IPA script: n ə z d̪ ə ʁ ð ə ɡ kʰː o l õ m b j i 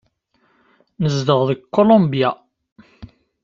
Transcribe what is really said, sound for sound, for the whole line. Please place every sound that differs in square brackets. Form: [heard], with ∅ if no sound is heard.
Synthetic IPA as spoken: n ə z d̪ ə ʁ ð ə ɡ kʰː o l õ m b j [a]